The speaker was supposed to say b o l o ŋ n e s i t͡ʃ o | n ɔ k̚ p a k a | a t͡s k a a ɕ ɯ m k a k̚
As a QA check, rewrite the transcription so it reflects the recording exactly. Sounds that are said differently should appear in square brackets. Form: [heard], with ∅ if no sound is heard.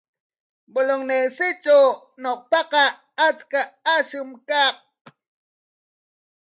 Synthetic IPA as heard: b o l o ŋ n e s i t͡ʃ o | n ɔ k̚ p a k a | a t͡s k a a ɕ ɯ m k a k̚